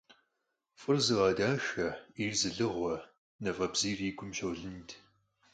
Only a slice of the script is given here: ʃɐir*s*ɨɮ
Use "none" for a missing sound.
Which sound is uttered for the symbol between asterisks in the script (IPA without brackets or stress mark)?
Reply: z